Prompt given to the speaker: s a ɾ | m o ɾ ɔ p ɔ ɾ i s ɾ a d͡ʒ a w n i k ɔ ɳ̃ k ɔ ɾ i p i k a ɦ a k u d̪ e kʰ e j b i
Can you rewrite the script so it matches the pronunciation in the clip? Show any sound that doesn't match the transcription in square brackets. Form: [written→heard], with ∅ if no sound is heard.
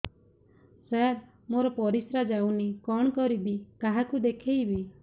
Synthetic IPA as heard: s a ɾ | m o ɾ ɔ p ɔ ɾ i s ɾ a d͡ʒ a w n i k ɔ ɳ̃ k ɔ ɾ i [p→b] i k a ɦ a k u d̪ e kʰ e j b i